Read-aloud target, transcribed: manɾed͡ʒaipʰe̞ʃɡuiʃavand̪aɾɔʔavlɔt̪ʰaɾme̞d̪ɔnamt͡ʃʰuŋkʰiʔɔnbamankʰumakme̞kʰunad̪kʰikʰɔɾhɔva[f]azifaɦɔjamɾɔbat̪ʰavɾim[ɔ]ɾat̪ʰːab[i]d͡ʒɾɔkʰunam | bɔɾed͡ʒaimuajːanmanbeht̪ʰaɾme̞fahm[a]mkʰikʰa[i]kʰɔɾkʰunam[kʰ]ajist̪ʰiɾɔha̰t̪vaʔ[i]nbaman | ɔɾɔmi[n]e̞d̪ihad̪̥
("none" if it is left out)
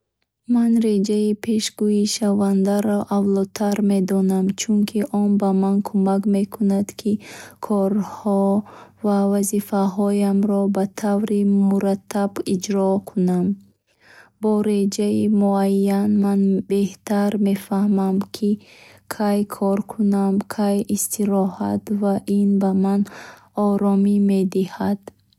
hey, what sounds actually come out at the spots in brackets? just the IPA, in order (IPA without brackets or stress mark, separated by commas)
v, u, i, a, j, kʰ, i, m